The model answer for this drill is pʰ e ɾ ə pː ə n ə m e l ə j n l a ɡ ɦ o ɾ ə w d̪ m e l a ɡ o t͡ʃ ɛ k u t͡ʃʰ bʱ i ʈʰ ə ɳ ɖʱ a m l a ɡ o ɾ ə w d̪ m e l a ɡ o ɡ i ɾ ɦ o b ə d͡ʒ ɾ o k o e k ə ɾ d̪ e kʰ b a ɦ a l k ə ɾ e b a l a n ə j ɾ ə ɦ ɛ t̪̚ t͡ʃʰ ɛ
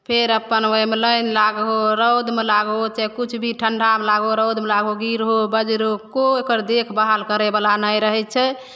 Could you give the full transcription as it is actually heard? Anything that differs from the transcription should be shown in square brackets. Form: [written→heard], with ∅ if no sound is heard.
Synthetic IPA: pʰ e ɾ ə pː ə n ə m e l ə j n l a ɡ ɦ o ɾ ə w d̪ m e l a ɡ o t͡ʃ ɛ k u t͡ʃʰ bʱ i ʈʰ ə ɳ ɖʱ a m l a ɡ o ɾ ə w d̪ m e l a ɡ o ɡ i ɾ ɦ o b ə d͡ʒ ɾ o k o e k ə ɾ d̪ e kʰ b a ɦ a l k ə ɾ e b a l a n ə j ɾ ə ɦ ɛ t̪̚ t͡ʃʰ ɛ